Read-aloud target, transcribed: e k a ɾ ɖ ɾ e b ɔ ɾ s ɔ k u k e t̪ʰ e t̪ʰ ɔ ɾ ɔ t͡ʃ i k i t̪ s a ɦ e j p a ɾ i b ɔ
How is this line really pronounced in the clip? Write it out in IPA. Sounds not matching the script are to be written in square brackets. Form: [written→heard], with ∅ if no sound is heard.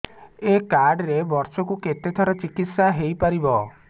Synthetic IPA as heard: e k a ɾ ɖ ɾ e b ɔ ɾ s ɔ k u k e [t̪ʰ→t̪] e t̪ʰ ɔ ɾ ɔ t͡ʃ i k i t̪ s a ɦ e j p a ɾ i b ɔ